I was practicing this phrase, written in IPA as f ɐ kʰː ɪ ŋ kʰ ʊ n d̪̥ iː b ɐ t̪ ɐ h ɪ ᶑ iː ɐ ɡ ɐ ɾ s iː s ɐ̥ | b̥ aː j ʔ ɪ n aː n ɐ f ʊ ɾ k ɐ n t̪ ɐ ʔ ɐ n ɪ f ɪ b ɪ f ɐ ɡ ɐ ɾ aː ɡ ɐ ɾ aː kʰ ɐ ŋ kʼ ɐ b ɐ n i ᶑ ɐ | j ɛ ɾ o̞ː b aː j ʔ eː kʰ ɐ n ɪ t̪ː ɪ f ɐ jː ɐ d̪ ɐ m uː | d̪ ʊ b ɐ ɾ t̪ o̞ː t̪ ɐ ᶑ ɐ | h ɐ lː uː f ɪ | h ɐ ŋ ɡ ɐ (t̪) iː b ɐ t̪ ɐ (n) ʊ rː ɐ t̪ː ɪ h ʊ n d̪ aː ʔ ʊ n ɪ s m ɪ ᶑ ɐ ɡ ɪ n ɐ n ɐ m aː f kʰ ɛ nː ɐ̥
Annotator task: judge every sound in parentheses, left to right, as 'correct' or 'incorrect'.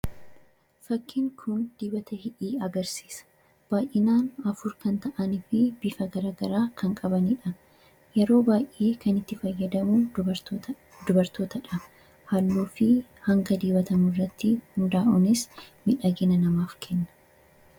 incorrect, incorrect

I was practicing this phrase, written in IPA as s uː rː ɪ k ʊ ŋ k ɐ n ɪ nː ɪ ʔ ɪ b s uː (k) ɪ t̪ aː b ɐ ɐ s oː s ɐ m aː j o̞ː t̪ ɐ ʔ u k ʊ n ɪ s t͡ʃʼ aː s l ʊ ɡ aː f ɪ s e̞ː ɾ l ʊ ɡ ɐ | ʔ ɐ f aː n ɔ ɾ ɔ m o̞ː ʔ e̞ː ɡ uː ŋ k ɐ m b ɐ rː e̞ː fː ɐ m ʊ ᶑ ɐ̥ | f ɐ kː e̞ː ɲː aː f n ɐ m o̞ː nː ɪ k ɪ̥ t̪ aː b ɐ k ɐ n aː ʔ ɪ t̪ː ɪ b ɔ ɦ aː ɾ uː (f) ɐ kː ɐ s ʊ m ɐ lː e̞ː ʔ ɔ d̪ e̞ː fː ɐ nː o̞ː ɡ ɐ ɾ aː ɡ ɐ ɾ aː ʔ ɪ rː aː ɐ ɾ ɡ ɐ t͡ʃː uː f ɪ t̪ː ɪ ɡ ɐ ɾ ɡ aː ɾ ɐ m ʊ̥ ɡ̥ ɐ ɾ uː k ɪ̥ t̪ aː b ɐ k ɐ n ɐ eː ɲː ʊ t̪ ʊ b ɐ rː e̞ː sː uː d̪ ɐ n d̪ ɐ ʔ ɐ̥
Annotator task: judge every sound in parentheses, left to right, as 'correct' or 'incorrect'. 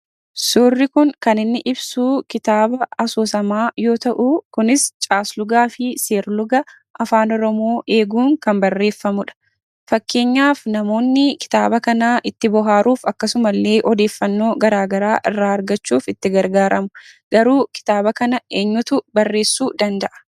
correct, correct

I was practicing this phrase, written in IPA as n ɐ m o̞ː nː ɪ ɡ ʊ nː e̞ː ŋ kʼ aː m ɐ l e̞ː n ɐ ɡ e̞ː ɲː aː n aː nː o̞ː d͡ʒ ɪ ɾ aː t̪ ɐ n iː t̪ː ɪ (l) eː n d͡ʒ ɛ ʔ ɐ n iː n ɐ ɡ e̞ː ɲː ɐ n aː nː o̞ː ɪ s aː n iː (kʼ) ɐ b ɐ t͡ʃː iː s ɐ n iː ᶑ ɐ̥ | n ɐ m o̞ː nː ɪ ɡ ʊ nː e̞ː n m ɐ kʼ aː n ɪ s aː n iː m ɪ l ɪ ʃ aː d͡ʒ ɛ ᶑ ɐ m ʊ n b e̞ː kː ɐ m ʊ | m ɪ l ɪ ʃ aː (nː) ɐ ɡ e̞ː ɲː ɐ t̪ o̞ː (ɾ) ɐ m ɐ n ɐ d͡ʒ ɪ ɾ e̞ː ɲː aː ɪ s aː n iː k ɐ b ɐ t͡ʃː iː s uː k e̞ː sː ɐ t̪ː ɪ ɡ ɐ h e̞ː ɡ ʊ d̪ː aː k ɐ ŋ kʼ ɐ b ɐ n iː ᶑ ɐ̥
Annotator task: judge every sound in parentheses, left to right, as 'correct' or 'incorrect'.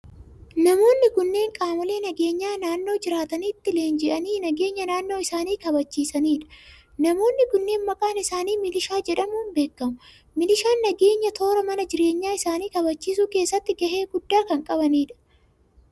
correct, incorrect, correct, correct

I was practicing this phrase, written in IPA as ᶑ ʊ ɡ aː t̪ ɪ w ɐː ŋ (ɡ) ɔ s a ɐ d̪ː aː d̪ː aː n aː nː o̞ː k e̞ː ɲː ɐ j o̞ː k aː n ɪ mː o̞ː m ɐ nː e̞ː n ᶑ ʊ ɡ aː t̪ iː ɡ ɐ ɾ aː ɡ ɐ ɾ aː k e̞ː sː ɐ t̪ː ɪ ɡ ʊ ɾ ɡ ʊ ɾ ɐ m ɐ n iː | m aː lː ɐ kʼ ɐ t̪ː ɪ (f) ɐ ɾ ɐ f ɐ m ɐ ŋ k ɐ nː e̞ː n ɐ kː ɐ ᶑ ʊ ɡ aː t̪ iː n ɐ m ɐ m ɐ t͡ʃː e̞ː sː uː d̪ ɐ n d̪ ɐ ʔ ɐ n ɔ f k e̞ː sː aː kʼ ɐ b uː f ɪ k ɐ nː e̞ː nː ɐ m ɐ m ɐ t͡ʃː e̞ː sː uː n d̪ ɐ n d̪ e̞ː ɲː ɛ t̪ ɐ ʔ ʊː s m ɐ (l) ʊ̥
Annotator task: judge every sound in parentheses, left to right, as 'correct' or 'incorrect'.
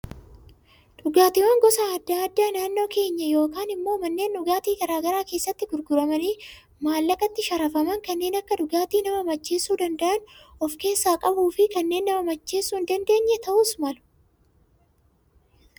correct, incorrect, correct

